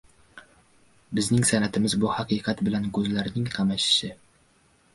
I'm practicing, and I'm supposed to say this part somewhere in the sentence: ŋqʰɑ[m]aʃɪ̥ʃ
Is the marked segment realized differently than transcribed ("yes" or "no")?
no